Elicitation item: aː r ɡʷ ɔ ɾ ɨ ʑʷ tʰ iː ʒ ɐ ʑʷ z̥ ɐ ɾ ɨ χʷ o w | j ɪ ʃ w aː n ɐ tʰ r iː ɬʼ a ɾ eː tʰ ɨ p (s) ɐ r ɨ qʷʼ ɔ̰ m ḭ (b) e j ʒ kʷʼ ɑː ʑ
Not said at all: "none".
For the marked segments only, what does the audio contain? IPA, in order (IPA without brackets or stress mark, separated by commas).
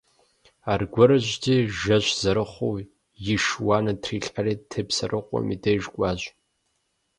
s, d